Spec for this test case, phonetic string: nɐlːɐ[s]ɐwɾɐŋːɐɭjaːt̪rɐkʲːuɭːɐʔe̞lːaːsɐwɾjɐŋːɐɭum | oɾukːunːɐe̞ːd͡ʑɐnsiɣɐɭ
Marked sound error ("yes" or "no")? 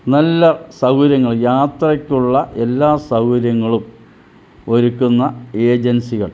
no